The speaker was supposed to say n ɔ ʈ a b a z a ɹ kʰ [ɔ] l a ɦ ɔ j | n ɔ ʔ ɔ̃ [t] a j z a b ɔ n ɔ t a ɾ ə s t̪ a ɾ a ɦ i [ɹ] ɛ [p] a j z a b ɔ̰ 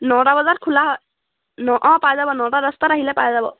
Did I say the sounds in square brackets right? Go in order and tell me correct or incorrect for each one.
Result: incorrect, incorrect, incorrect, correct

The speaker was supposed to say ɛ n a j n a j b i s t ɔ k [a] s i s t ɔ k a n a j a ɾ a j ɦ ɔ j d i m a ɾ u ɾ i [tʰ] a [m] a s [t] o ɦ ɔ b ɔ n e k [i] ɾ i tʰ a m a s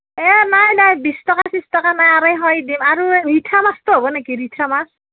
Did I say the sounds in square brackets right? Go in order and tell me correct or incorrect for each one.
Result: correct, correct, correct, correct, correct

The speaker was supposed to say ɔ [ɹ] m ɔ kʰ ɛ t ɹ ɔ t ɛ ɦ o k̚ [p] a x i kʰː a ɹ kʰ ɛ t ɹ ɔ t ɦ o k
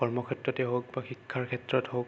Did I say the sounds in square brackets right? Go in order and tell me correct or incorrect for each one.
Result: correct, incorrect

